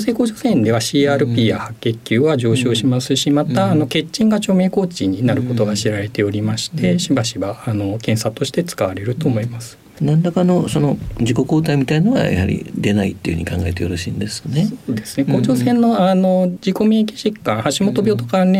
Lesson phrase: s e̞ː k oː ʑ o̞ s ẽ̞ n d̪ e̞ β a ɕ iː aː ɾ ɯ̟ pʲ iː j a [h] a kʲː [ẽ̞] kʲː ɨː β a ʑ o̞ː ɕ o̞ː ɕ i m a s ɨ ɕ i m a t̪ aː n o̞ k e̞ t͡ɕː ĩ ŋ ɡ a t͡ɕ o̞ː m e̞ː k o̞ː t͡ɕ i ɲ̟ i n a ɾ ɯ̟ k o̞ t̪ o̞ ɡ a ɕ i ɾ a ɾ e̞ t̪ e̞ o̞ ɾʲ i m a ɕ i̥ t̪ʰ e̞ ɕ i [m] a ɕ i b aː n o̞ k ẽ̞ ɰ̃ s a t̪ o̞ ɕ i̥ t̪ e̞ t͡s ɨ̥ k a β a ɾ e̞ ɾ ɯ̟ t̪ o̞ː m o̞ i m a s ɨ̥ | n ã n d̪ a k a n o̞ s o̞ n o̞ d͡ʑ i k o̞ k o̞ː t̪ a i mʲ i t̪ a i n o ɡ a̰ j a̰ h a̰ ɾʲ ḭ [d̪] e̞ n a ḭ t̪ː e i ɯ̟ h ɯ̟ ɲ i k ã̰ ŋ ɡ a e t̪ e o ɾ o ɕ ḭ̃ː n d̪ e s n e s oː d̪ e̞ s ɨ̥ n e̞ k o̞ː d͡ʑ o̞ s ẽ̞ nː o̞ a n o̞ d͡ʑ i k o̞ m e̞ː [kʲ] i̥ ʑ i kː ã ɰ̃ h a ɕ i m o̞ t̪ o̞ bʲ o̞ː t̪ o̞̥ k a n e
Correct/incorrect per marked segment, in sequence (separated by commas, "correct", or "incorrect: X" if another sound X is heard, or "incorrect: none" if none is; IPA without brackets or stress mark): correct, incorrect: e̞, incorrect: b, correct, correct